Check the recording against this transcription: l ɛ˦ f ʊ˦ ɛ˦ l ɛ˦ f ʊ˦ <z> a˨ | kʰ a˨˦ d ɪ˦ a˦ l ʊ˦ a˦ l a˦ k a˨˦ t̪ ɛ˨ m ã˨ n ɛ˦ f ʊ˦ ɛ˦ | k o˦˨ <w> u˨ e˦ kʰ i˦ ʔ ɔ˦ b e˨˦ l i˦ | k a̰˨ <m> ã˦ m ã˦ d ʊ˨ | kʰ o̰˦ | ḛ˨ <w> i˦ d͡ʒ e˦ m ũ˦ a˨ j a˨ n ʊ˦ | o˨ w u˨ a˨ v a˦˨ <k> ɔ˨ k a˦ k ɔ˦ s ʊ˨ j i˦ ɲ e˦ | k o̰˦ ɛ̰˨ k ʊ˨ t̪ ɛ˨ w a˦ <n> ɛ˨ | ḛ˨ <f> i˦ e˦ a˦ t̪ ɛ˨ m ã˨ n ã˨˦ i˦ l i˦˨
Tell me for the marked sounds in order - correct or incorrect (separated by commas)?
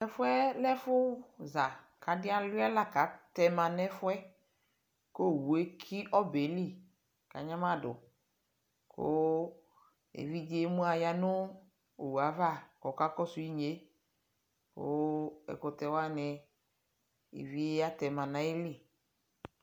correct, correct, incorrect, incorrect, correct, correct, incorrect